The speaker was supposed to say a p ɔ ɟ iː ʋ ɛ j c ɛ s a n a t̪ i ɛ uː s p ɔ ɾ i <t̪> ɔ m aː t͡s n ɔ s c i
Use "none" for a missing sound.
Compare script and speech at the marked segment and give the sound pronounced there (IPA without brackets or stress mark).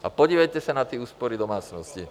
d̪